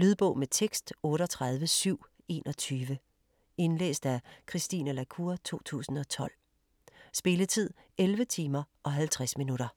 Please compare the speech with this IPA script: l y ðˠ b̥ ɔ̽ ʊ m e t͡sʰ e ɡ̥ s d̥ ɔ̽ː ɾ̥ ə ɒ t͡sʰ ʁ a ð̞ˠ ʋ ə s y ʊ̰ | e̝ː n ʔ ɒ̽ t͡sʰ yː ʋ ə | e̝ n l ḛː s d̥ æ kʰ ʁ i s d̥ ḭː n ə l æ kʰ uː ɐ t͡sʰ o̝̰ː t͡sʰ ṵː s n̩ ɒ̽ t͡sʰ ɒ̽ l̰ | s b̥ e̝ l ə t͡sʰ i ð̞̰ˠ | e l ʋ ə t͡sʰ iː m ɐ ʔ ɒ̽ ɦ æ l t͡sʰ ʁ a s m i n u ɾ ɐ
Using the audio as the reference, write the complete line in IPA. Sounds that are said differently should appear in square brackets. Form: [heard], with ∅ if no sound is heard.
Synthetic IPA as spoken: l y ðˠ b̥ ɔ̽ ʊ m e t͡sʰ e ɡ̥ s d̥ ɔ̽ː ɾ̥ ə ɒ t͡sʰ ʁ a ð̞ˠ ʋ ə s y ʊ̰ | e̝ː n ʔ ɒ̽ t͡sʰ yː ʋ ə | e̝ n l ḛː s d̥ æ kʰ ʁ i s d̥ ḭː n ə l æ kʰ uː ɐ t͡sʰ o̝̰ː t͡sʰ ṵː s n̩ ɒ̽ t͡sʰ ɒ̽ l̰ | s b̥ e̝ l ə t͡sʰ i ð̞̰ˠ | e l ʋ ə t͡sʰ iː m ɐ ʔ ɒ̽ ɦ æ l t͡sʰ ʁ a s m i n u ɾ ɐ